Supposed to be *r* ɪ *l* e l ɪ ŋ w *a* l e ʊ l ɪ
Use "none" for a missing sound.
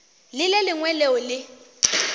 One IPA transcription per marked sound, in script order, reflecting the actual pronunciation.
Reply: l, l, ɛ

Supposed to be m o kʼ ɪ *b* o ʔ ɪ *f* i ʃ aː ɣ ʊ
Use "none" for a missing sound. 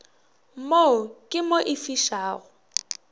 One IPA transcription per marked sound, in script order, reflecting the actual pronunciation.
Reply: m, f

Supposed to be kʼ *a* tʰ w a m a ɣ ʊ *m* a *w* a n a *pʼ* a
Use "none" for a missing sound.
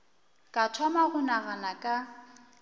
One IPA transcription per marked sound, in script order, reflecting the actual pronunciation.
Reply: a, n, ɣ, kʼ

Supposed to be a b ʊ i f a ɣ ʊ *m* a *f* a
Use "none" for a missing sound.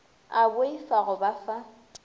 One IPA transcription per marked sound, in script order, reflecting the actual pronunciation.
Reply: b, f

